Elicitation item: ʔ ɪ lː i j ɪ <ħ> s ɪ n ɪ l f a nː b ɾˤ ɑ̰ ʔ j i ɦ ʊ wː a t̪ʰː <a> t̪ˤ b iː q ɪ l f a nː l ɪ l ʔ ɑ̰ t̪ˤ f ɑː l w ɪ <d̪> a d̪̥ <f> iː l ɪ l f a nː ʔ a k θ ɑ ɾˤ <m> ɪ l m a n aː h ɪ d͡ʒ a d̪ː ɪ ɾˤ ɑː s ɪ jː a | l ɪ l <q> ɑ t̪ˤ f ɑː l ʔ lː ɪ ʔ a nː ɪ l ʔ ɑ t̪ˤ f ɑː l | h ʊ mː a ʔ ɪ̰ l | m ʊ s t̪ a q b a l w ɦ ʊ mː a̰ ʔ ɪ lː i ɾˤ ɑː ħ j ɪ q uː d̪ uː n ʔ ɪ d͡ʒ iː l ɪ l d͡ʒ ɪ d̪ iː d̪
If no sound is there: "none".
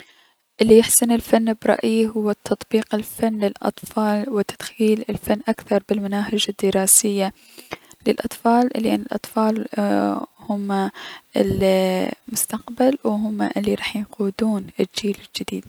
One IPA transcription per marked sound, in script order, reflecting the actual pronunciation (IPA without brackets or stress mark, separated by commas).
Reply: ħ, ɑ, t̪, x, b, ʔ